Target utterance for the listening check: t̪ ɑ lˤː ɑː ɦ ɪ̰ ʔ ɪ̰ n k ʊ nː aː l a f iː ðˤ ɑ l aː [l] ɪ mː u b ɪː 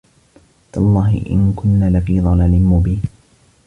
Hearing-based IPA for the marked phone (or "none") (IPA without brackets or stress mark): l